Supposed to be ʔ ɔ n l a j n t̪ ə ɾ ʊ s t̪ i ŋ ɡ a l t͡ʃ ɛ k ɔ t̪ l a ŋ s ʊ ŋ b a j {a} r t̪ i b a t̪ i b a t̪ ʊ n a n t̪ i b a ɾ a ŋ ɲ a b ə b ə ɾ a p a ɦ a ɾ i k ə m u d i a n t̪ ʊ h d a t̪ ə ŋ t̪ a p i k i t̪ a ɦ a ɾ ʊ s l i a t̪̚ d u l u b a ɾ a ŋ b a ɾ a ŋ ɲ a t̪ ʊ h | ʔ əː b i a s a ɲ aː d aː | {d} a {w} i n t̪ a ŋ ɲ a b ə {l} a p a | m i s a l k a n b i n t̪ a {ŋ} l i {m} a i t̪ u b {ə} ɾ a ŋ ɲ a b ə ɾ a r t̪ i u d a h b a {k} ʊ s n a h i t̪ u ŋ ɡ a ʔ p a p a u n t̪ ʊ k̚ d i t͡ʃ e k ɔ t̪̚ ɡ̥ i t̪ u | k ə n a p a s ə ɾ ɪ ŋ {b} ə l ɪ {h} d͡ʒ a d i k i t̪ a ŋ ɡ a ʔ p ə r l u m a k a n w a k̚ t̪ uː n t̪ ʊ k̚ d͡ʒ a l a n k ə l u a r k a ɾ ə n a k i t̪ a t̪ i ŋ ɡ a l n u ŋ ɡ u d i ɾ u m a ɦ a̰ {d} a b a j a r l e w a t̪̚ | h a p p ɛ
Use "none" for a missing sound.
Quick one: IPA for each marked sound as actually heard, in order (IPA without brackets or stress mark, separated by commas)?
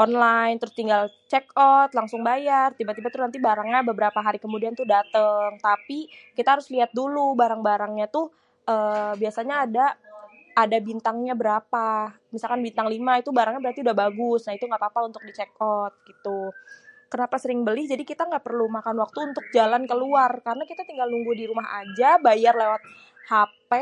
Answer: a, d, b, ɾ, ŋ, m, a, ɡ, b, h, d͡ʒ